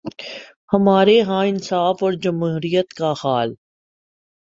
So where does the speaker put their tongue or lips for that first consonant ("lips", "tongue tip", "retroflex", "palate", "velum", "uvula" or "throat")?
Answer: throat